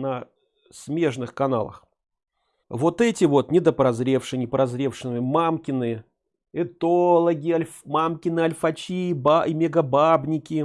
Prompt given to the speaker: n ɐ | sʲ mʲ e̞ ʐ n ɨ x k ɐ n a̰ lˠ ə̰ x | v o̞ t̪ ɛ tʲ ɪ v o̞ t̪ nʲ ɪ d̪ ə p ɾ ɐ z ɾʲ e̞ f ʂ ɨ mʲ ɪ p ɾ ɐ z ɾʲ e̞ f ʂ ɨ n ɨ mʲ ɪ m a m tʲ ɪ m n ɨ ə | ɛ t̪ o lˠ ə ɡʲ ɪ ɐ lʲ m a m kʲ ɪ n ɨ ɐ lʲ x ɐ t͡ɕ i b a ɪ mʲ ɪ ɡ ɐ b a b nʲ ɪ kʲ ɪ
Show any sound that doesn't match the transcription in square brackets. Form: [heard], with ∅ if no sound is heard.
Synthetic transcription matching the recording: n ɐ | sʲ mʲ e̞ ʐ n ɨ x k ɐ n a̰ lˠ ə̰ x | v o̞ t̪ ɛ tʲ ɪ v o̞ t̪ nʲ ɪ d̪ ə p ɾ ɐ z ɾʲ e̞ f ʂ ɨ [nʲ] ɪ p ɾ ɐ z ɾʲ e̞ f ʂ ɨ n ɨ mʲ ɪ m a m [kʲ] ɪ [∅] n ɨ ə | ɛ t̪ o lˠ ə ɡʲ ɪ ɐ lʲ m a m kʲ ɪ n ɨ ɐ lʲ [f] ɐ t͡ɕ i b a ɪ mʲ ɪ ɡ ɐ b a b nʲ ɪ kʲ ɪ